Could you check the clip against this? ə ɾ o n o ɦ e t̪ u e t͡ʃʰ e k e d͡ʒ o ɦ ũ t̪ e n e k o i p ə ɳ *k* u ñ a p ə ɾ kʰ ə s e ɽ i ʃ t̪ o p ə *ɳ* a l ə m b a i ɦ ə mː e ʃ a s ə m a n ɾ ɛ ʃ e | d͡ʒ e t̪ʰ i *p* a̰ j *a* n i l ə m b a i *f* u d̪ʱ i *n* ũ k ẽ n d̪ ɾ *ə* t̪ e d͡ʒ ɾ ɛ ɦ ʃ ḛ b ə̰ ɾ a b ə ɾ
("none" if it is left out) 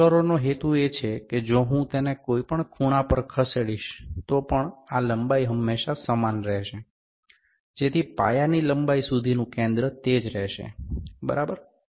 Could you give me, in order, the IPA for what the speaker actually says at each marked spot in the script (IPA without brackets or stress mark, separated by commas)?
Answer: kʰ, ɳ, p, a, s, n, ə